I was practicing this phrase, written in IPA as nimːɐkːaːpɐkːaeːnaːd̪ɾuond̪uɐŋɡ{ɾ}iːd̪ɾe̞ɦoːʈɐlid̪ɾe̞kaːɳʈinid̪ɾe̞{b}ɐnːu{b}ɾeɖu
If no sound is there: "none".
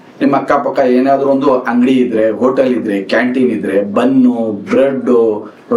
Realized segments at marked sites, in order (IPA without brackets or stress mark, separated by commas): ɽ, b, b